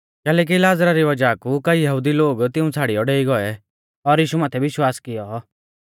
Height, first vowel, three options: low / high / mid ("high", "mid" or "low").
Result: mid